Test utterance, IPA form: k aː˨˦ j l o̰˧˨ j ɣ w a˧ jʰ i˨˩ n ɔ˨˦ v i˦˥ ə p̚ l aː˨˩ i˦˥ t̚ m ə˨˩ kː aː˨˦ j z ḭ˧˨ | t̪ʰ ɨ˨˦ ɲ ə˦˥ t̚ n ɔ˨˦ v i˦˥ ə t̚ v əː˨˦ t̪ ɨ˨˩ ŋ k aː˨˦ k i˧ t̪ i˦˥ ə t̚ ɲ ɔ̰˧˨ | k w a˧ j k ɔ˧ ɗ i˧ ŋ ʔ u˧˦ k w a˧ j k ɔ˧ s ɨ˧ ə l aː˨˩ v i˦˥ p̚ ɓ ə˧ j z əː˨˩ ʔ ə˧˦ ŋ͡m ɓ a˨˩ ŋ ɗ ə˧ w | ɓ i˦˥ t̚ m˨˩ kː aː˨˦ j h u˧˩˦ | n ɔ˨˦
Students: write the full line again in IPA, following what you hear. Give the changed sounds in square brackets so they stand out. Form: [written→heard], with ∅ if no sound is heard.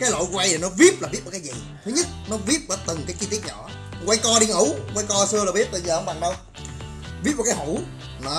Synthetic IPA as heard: k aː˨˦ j l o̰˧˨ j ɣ w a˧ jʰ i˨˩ n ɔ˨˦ v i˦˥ ə p̚ l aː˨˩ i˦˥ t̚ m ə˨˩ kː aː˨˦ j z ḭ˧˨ | t̪ʰ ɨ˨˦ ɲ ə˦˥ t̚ n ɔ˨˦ v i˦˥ ə [t̚→p̚] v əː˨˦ t̪ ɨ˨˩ ŋ k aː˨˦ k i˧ t̪ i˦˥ ə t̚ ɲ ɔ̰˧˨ | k w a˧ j k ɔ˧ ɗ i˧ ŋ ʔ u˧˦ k w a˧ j k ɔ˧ s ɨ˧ ə l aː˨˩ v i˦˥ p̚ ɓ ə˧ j z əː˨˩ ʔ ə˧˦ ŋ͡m ɓ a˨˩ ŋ ɗ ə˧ w | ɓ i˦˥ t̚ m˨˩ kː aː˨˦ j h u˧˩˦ | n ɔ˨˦